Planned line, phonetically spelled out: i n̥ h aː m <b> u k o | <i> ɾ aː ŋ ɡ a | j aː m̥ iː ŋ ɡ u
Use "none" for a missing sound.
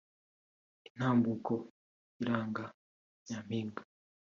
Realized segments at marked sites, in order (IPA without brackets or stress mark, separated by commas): b, i